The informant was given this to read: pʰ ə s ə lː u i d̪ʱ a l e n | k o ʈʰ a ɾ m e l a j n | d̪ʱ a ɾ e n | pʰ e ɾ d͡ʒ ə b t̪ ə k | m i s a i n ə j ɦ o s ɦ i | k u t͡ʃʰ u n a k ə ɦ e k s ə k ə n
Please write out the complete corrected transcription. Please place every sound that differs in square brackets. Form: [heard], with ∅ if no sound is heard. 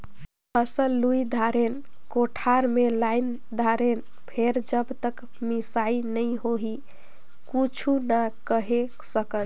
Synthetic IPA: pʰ ə s ə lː u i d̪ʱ a [ɾ] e n | k o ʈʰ a ɾ m e l a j n | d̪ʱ a ɾ e n | pʰ e ɾ d͡ʒ ə b t̪ ə k | m i s a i n ə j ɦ o [∅] ɦ i | k u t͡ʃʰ u n a k ə ɦ e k s ə k ə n